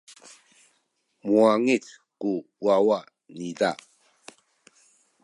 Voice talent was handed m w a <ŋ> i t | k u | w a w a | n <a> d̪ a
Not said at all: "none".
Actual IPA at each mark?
ŋ, i

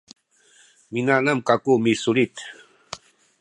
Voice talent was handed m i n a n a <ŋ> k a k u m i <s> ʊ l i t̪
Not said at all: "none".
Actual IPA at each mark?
m, s

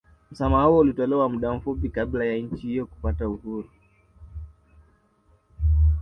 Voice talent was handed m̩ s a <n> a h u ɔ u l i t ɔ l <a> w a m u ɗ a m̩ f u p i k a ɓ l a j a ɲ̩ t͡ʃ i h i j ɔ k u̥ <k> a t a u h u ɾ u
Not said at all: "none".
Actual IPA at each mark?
m, ɛ, p

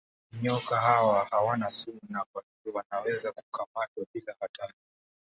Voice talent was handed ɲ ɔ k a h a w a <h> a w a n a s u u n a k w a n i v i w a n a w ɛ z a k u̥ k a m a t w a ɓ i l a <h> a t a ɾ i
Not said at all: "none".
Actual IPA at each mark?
h, h

